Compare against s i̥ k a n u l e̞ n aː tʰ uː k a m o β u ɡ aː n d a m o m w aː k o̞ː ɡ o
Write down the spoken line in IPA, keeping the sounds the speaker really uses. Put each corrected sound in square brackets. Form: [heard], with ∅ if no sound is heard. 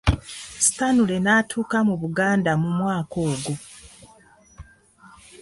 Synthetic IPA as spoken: s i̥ [t] a n u l e̞ n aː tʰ uː k a m [u] β u ɡ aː n d a m [u] m w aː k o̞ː ɡ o

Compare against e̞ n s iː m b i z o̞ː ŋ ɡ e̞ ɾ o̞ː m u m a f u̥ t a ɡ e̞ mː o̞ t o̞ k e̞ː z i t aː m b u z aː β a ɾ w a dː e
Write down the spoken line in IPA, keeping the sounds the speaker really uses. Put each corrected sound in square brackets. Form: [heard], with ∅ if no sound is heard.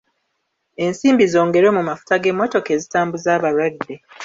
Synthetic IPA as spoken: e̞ n s iː m b i z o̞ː ŋ ɡ e̞ ɾ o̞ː m u m a f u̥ t a ɡ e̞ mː o̞ t o̞ k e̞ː z i t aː m b u z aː β a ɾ w a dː e

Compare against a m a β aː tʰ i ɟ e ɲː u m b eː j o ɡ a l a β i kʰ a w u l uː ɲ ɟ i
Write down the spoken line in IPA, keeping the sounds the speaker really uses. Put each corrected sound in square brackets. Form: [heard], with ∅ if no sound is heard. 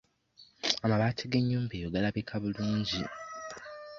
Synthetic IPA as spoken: a m a β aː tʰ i [ɡ] e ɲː [uː] m b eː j o ɡ a l a β i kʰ a [β] u l uː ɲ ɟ i

